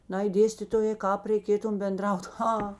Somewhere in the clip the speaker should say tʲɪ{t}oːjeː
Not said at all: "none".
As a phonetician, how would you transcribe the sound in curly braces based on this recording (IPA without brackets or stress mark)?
t